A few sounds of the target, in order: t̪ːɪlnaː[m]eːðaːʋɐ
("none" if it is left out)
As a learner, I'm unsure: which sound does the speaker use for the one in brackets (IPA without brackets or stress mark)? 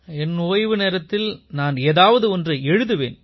n